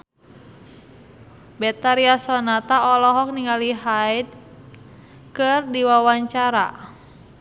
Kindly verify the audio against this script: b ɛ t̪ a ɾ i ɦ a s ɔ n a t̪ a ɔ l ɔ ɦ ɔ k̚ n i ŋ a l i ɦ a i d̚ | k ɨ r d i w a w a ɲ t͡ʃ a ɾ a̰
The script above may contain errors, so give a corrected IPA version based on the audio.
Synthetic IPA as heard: b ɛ t̪ a ɾ i a s ɔ n a t̪ a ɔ l ɔ ɦ ɔ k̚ n i ŋ a l i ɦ a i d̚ | k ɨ r d i w a w a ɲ t͡ʃ a ɾ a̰